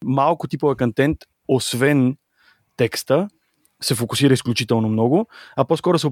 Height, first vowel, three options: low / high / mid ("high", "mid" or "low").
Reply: low